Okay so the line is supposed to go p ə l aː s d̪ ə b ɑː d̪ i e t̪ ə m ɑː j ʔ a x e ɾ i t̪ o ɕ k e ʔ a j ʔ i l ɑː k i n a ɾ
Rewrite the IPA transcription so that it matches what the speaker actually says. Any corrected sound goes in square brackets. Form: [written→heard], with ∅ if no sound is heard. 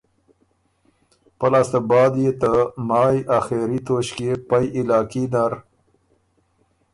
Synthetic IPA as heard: p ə l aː s [d̪→t̪] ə b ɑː d̪ [i→j] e t̪ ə m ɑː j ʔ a x e ɾ i t̪ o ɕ k e [ʔ→p] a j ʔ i l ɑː k i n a ɾ